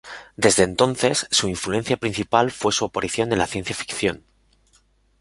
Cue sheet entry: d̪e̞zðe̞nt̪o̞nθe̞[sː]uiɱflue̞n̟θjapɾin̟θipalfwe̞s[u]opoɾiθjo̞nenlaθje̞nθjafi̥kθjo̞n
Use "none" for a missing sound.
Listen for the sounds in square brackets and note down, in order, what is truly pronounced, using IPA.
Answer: sː, u

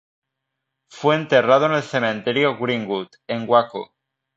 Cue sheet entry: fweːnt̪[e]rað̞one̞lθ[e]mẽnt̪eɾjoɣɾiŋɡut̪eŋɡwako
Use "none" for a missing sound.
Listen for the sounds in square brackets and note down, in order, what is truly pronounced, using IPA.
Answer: e, e

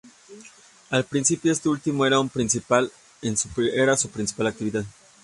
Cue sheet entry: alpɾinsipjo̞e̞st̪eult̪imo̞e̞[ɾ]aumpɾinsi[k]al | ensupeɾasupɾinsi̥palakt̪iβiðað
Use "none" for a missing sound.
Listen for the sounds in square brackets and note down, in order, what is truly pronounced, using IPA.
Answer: ɾ, p

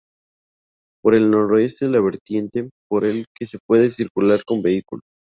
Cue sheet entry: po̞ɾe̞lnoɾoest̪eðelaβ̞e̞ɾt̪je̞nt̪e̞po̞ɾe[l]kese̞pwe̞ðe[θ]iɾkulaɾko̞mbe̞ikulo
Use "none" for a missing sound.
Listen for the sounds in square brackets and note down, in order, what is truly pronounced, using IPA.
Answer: l, s

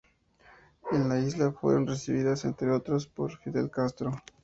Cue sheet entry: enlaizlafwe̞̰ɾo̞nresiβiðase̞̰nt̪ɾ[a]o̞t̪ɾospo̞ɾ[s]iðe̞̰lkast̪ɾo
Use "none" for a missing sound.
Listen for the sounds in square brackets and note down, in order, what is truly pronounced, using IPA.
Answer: e, f

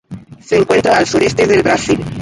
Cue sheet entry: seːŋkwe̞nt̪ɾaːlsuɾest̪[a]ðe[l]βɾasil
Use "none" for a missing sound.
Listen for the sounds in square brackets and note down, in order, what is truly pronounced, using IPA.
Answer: e, l

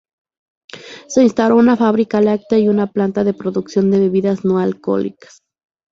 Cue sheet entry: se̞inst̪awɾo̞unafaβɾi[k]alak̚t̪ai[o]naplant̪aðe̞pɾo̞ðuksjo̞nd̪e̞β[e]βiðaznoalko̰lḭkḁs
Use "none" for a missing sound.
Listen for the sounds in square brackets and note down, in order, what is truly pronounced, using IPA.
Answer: k, u, e

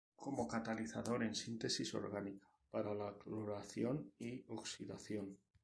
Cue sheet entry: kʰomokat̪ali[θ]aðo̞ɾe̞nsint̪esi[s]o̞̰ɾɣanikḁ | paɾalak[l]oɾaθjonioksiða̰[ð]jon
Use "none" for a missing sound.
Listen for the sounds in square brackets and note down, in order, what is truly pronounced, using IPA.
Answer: θ, s, l, θ

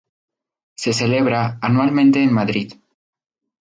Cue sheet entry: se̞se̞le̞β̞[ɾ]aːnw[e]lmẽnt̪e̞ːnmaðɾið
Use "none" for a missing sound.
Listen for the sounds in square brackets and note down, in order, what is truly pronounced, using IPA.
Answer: ɾ, a

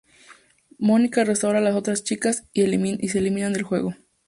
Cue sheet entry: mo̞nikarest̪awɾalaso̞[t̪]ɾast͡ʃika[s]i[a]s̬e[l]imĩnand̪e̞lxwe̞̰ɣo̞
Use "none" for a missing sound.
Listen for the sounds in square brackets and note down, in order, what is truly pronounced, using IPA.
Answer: t̪, s, i, l

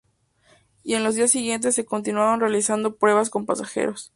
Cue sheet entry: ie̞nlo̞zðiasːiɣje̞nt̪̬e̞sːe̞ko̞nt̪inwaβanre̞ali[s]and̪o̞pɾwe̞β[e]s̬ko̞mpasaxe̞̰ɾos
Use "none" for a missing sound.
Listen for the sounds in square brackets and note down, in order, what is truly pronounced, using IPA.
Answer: s, a

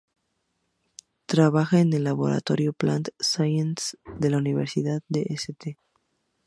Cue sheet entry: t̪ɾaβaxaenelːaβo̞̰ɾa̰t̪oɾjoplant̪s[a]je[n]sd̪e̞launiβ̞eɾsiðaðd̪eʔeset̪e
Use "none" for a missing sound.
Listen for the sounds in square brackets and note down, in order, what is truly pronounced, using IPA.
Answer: a, n

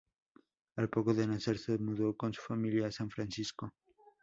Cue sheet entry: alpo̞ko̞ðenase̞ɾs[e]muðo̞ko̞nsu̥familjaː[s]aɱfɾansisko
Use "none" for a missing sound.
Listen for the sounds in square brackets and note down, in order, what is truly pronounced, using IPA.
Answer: e, s

